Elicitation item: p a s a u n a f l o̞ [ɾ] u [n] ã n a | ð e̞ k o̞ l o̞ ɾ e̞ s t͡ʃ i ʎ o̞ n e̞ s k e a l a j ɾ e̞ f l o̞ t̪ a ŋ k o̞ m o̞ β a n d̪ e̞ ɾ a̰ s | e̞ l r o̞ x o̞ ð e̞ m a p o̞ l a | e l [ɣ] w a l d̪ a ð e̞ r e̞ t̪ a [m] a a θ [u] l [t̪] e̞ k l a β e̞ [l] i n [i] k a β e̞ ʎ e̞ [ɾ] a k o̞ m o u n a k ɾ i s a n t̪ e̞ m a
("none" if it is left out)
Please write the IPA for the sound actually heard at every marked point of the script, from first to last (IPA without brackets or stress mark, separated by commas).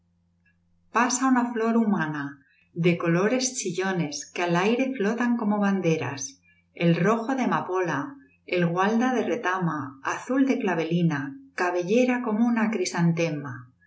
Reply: ɾ, m, ɣ, m, u, d̪, l, a, ɾ